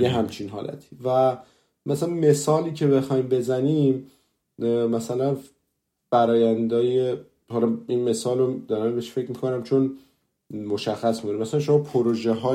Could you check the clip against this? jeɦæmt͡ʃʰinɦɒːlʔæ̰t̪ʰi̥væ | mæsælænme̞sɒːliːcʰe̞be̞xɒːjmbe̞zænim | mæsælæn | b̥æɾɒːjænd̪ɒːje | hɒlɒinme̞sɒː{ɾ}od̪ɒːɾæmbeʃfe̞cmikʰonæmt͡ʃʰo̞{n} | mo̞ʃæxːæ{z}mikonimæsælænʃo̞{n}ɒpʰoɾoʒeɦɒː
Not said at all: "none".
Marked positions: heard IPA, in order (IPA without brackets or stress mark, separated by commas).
l, n, s, m